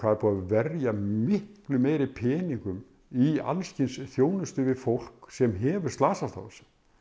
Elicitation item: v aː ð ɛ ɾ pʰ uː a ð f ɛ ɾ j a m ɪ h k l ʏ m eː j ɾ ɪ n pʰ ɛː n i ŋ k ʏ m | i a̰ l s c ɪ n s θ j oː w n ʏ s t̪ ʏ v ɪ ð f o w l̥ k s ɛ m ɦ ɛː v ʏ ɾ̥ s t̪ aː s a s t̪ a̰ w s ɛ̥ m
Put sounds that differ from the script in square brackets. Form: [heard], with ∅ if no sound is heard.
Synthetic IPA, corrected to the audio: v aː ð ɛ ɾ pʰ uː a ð [v] ɛ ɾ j a m ɪ h k l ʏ m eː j ɾ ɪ [∅] pʰ ɛː n i ŋ k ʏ m | i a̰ l s c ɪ n s θ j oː w n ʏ s t̪ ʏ v ɪ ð f o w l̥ k s ɛ m ɦ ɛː v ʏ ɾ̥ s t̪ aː s a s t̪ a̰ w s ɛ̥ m